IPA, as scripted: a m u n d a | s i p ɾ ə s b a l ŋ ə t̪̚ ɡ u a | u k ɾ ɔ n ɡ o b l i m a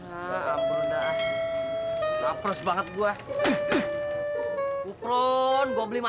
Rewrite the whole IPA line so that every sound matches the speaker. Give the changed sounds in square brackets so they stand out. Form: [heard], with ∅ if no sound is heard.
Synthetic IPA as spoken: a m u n d a | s [a] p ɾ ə s b a [∅] ŋ ə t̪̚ ɡ u a | u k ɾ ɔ n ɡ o b l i m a